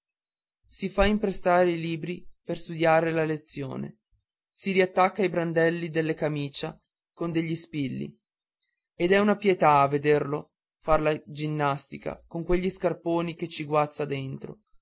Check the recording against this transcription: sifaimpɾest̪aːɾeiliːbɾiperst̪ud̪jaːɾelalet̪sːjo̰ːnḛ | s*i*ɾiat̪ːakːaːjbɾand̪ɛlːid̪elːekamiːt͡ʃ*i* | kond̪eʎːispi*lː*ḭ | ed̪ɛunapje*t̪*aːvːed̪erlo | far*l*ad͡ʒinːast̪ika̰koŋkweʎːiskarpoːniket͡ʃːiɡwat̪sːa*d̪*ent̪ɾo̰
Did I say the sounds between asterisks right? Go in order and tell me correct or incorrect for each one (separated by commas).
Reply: correct, incorrect, correct, correct, correct, correct